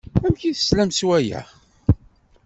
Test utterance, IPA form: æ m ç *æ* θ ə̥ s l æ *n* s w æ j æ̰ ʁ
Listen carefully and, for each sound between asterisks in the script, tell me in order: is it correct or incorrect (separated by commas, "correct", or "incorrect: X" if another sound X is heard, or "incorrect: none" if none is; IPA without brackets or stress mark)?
incorrect: i, incorrect: m